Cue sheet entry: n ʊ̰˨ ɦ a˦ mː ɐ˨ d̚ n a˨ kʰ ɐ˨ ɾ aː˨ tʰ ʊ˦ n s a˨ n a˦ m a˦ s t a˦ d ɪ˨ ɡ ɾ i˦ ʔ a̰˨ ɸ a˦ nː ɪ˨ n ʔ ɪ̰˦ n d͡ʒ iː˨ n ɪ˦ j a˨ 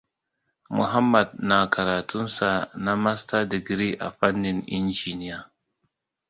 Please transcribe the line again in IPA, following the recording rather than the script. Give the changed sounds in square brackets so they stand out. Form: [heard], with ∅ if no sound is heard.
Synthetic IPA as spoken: [m] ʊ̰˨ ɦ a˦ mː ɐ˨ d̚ n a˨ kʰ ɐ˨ ɾ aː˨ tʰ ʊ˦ n s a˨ n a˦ m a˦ s t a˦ d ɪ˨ ɡ ɾ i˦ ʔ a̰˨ ɸ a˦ nː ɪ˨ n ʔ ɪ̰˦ n d͡ʒ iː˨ n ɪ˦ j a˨